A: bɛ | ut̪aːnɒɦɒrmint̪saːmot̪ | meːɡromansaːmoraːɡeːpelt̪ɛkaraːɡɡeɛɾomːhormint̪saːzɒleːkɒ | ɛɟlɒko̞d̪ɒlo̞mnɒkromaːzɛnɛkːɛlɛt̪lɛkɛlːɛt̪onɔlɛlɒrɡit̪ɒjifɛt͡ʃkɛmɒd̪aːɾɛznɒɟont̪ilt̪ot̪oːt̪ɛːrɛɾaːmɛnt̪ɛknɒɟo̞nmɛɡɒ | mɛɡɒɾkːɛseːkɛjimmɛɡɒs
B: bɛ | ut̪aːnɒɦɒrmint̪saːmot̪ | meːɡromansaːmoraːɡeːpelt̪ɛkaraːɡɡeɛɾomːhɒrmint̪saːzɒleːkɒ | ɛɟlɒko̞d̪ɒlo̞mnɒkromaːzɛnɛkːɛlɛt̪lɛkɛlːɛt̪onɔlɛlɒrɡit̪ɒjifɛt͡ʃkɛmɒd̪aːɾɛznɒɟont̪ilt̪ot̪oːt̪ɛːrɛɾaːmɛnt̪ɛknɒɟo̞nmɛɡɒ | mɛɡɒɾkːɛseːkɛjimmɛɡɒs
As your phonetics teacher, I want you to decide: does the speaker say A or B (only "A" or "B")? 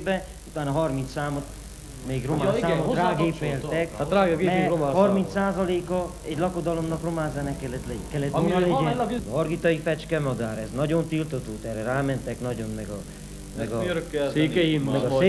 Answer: B